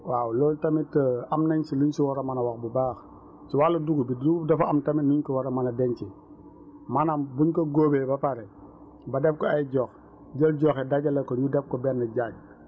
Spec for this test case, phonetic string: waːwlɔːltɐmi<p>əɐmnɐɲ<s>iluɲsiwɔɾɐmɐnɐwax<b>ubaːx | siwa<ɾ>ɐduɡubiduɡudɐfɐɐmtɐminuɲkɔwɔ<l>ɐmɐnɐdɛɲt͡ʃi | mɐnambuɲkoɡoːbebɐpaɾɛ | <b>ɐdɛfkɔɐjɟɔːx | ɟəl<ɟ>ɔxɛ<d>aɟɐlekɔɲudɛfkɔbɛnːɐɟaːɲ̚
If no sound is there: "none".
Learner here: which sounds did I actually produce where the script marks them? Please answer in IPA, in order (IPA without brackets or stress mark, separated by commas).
t, s, b, l, ɾ, b, ɟ, d